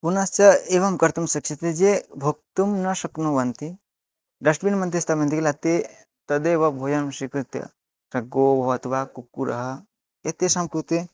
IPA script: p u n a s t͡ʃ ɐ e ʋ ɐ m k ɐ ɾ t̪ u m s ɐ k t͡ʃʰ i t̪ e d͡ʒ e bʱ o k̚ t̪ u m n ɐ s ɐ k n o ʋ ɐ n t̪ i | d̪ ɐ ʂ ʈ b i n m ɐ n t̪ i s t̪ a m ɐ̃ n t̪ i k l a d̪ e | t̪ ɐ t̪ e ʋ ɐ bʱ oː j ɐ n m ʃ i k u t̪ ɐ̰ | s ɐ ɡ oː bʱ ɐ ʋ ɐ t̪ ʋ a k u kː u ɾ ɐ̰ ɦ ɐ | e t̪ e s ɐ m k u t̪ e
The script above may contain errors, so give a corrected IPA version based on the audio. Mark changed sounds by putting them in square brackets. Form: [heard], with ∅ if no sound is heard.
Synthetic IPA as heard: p u n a s t͡ʃ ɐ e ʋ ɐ m k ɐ ɾ t̪ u m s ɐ k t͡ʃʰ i t̪ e d͡ʒ e bʱ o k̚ t̪ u m n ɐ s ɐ k n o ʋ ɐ n t̪ i | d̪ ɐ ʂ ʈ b i n m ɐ n t̪ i s t̪ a m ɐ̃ n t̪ i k l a [t̪] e | t̪ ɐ [d̪] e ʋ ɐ bʱ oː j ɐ n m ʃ i k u t̪ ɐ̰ | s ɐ ɡ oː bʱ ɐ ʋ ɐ t̪ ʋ a k u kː u ɾ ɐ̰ ɦ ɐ | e t̪ e s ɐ m k u t̪ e

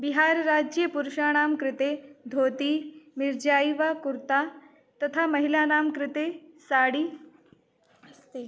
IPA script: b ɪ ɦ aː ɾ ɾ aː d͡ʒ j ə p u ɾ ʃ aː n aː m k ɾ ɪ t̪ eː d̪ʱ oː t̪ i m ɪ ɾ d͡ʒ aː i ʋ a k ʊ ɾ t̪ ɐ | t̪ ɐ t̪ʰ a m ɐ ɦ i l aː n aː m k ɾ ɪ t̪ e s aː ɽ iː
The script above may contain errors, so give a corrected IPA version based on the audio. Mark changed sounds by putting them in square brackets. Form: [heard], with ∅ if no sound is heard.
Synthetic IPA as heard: b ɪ ɦ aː ɾ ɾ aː d͡ʒ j ə p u ɾ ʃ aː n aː m k ɾ ɪ t̪ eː d̪ʱ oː t̪ i m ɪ ɾ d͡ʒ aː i ʋ a k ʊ ɾ t̪ [a] | t̪ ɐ t̪ʰ a m ɐ ɦ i l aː n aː m k ɾ ɪ t̪ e s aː ɽ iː

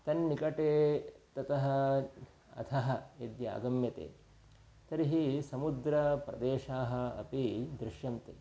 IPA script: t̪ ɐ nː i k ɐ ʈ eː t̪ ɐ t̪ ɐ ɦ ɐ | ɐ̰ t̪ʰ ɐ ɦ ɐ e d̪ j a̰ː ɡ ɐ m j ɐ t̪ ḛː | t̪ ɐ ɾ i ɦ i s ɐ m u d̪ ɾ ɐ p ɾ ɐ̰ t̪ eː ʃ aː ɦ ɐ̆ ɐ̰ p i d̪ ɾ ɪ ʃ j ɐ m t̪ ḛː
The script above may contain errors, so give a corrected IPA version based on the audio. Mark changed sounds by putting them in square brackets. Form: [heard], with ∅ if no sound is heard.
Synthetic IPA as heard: t̪ ɐ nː i k ɐ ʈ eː t̪ ɐ t̪ ɐ ɦ ɐ | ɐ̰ t̪ʰ ɐ ɦ ɐ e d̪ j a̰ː ɡ ɐ m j ɐ t̪ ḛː | t̪ ɐ ɾ i ɦ i s ɐ m u d̪ ɾ ɐ p ɾ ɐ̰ [d̪] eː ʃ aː ɦ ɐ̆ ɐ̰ p i d̪ ɾ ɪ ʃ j ɐ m t̪ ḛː

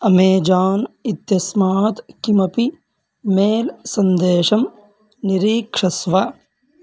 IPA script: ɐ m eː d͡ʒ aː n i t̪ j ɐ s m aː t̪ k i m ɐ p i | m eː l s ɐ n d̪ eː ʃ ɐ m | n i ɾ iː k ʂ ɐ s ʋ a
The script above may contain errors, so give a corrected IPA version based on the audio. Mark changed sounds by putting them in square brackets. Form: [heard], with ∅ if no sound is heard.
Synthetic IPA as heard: ɐ m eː d͡ʒ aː n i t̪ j ɐ s m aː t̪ k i m ɐ p i | m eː l s ɐ n d̪ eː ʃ ɐ m | n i ɾ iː k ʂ ɐ s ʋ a

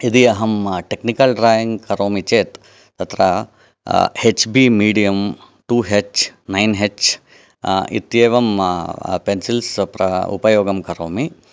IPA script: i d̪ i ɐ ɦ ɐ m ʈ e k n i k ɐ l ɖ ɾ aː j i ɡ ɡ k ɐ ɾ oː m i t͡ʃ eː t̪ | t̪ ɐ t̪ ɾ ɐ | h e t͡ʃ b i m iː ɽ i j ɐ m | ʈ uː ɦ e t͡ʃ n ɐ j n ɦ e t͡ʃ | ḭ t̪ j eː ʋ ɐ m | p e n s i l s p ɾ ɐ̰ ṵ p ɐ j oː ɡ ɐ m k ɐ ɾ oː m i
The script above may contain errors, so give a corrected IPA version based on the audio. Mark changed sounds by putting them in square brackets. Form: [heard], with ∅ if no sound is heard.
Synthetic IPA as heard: i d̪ i ɐ ɦ ɐ m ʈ e k n i k ɐ l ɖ ɾ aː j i [ŋ] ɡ k ɐ ɾ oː m i t͡ʃ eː t̪ | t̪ ɐ t̪ ɾ ɐ | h e t͡ʃ b i m iː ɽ i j ɐ m | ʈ uː ɦ e t͡ʃ n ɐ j n ɦ e t͡ʃ | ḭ t̪ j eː ʋ ɐ m | p e n s i l s p ɾ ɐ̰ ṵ p ɐ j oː ɡ ɐ m k ɐ ɾ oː m i

